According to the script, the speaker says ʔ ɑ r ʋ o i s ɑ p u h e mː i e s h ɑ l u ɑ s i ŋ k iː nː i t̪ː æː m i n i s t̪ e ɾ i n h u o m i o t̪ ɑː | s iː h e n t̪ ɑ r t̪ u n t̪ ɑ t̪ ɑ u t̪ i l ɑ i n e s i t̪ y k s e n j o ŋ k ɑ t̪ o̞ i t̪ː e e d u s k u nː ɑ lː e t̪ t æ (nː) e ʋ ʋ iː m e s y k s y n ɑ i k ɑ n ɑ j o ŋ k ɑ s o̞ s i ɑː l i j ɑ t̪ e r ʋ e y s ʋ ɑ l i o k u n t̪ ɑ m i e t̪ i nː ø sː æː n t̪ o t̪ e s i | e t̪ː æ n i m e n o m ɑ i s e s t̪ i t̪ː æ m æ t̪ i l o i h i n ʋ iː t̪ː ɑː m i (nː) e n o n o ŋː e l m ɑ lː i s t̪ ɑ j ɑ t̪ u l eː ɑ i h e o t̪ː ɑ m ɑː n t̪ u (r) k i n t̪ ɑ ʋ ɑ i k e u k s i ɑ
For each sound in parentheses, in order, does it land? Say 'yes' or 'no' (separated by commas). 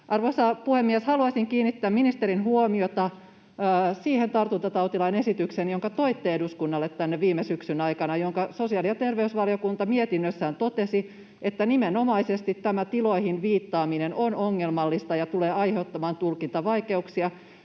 yes, no, no